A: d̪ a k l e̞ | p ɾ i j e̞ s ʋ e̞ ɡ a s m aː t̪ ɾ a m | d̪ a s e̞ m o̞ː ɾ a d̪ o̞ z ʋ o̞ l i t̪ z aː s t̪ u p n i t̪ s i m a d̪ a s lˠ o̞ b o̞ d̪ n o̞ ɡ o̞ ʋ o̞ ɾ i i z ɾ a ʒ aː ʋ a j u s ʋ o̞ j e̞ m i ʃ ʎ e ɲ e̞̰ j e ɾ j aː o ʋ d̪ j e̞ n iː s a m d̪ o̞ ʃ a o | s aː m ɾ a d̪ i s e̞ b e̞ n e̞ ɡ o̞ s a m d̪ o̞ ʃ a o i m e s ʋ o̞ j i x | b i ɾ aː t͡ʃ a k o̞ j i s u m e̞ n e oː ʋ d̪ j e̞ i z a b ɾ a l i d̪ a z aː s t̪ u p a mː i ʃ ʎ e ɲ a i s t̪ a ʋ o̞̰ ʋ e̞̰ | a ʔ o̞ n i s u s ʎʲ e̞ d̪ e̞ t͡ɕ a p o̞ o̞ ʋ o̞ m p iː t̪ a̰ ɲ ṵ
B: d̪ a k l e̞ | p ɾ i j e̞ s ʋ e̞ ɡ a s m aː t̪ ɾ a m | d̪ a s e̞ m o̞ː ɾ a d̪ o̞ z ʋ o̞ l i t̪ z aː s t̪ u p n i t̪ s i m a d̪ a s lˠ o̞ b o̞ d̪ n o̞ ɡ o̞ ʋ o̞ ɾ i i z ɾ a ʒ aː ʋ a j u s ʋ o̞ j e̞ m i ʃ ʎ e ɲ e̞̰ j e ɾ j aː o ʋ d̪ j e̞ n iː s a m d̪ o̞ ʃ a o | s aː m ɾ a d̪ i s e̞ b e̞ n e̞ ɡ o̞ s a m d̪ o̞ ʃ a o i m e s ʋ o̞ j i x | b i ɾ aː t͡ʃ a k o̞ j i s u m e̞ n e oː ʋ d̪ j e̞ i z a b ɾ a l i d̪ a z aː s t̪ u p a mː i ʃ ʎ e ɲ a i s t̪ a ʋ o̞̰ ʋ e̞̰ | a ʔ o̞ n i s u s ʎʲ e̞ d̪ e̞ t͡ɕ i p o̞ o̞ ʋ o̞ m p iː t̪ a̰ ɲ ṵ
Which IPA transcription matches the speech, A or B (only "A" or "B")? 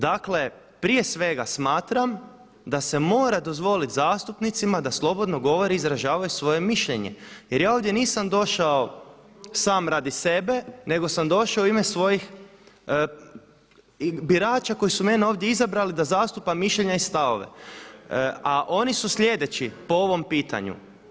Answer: B